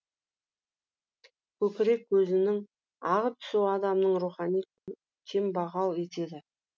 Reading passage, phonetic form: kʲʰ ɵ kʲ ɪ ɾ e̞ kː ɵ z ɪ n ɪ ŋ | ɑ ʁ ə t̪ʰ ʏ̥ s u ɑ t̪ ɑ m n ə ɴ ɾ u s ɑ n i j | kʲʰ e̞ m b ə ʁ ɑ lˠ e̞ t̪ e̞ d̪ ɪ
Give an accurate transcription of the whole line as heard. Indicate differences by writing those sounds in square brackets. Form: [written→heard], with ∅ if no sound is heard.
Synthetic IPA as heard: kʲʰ ɵ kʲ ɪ ɾ e̞ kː ɵ z ɪ n ɪ ŋ | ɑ ʁ ə t̪ʰ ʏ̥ s u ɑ [t̪→d̪] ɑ m n ə ɴ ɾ u [s→χ] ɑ n i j | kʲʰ e̞ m b [ə→ɑ] ʁ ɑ lˠ e̞ t̪ e̞ d̪ ɪ